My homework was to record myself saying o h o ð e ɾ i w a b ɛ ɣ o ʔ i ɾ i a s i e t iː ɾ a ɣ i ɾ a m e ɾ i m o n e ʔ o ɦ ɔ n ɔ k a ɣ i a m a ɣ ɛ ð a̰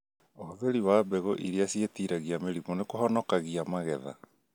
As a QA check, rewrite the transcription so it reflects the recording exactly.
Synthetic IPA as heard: o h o ð e ɾ i w a b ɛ ɣ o ʔ i ɾ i a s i e t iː ɾ a ɣ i a m e ɾ i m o n e k o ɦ ɔ n ɔ k a ɣ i a m a ɣ ɛ ð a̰